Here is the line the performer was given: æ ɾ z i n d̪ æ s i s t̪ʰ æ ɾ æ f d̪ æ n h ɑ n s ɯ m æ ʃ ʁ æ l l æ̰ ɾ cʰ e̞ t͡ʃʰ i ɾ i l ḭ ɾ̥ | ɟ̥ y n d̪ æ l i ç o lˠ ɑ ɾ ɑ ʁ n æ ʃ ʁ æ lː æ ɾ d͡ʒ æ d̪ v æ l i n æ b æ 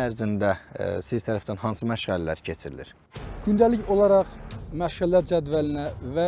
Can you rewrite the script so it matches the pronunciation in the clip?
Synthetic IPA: æ ɾ z i n d̪ æ s i z t̪ʰ æ ɾ æ f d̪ æ n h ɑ n s ɯ m æ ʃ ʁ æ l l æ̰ ɾ cʰ e̞ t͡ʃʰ i ɾ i l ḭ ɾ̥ | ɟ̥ y n d̪ æ l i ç o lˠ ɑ ɾ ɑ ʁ m æ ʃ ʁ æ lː æ ɾ d͡ʒ æ d̪ v æ l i n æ v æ